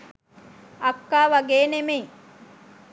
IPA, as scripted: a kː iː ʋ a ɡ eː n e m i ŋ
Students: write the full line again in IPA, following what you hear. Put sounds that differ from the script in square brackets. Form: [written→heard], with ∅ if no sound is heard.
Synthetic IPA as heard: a kː [iː→aː] ʋ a ɡ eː n e m [i→e] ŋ